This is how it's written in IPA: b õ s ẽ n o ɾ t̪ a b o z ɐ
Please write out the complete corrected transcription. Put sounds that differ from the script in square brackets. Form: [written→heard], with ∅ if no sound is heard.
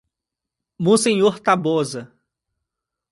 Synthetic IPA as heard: [b→m] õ s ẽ [n→ɲ] o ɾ t̪ a b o z ɐ